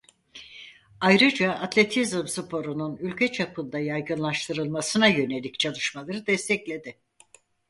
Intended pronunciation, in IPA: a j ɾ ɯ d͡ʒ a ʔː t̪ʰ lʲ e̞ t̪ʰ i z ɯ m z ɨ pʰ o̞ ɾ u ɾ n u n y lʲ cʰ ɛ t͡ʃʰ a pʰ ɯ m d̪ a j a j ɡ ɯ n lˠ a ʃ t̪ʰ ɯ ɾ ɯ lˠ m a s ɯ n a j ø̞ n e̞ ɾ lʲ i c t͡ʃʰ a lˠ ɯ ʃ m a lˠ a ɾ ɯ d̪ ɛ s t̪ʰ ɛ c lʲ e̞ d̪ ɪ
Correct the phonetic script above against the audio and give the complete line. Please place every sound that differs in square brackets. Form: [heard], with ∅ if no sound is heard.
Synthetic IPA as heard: a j ɾ ɯ d͡ʒ a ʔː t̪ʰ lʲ e̞ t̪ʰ i z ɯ m [s] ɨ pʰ o̞ ɾ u [∅] n u n y lʲ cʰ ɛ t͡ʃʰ a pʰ ɯ [n] d̪ a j a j ɡ ɯ n lˠ a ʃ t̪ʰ ɯ ɾ ɯ lˠ m a s ɯ n a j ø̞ n e̞ [∅] lʲ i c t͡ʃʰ a lˠ ɯ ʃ m a lˠ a ɾ ɯ d̪ ɛ s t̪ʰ ɛ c lʲ e̞ d̪ ɪ

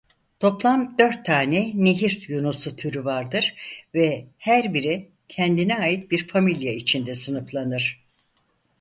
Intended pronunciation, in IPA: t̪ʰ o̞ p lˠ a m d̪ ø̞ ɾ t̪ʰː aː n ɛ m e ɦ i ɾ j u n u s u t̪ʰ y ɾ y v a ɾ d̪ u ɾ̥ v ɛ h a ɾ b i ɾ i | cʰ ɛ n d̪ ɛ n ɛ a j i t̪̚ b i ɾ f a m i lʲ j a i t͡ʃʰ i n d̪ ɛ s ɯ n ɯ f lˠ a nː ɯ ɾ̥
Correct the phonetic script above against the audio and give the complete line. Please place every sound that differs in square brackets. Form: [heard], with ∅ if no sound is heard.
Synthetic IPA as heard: t̪ʰ o̞ p lˠ a m d̪ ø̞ ɾ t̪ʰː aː n ɛ [n] e ɦ i ɾ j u n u s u t̪ʰ y ɾ y v a ɾ d̪ [ɯ] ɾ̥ v ɛ h [æ] ɾ b i ɾ i | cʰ ɛ n d̪ [i] n ɛ a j i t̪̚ b i ɾ f a m i lʲ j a i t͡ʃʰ i n d̪ ɛ s ɯ n ɯ f lˠ a [n] ɯ ɾ̥

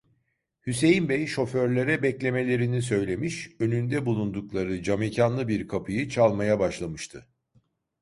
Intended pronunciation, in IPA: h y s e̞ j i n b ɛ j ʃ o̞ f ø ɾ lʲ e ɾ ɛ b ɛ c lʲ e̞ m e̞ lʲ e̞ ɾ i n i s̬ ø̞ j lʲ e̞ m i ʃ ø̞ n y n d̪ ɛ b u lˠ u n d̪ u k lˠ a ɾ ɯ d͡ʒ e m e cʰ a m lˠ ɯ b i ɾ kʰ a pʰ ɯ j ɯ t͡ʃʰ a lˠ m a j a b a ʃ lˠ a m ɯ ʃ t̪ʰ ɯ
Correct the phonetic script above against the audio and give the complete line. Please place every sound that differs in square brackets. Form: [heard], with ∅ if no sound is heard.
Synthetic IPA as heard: h y s e̞ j i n b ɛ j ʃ o̞ f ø ɾ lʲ e ɾ ɛ b ɛ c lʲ e̞ m e̞ lʲ e̞ ɾ i n i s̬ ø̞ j lʲ e̞ m i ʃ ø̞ n y n d̪ ɛ b u lˠ u n d̪ u k lˠ a ɾ ɯ d͡ʒ [a] m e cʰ a [n] lˠ ɯ b i ɾ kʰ a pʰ ɯ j ɯ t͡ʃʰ a lˠ m a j a b a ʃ lˠ a m ɯ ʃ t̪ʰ ɯ

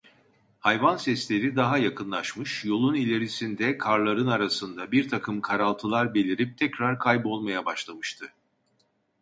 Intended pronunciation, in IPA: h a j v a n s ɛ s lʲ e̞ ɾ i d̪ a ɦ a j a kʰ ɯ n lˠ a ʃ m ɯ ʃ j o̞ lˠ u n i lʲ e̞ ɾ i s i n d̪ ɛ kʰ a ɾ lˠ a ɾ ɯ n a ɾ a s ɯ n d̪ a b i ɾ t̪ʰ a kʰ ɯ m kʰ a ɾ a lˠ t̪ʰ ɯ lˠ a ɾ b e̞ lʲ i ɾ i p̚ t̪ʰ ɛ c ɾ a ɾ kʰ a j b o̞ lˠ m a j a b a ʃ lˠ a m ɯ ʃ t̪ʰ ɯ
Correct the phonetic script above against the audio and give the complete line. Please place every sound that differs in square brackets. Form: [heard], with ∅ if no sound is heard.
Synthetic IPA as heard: h a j v a n s ɛ s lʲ e̞ ɾ i d̪ a ɦ a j a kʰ ɯ n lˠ a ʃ m ɯ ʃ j o̞ lˠ u n i lʲ e̞ ɾ i s i n d̪ ɛ kʰ a ɾ lˠ a ɾ ɯ n a ɾ a s ɯ n d̪ a b i ɾ t̪ʰ a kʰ ɯ m kʰ a ɾ a lˠ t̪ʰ ɯ lˠ a ɾ b e̞ lʲ i ɾ i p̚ t̪ʰ ɛ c ɾ a ɾ kʰ a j b o̞ lˠ m a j a b a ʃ lˠ a m ɯ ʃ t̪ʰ ɯ

